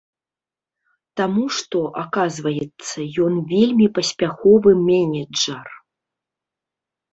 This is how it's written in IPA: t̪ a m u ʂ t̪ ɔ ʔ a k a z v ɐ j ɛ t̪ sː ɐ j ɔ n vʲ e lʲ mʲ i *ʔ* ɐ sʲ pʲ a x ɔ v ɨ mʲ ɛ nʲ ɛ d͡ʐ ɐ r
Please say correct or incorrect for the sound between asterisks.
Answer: incorrect